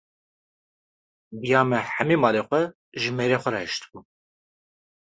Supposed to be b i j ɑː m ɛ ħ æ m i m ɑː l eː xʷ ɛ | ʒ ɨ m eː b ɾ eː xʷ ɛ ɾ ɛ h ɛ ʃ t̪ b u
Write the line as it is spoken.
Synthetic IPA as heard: b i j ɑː m ɛ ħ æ m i m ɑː l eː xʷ ɛ | ʒ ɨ m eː ɾ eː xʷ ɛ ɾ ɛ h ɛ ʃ t̪ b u